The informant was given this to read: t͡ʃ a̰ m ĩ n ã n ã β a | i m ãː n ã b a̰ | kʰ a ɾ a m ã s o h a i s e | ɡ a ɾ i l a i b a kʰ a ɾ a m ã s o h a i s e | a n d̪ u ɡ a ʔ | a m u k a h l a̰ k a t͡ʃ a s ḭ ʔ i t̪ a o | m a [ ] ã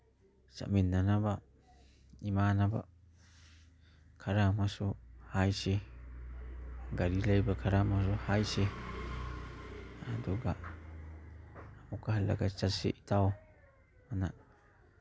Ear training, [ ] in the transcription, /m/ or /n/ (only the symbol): n